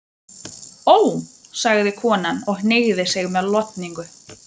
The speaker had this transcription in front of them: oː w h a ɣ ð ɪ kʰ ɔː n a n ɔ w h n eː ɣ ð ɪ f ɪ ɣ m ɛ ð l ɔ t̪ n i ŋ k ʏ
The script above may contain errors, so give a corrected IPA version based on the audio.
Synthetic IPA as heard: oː w s a ɣ ð ɪ kʰ ɔː n a n ɔ ɣ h n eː ɣ ð ɪ s ɪ ɣ m ɛ ð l ɔ t̪ n i ŋ k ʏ